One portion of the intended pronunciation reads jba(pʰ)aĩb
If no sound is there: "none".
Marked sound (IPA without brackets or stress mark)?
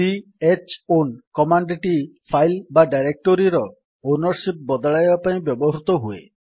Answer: p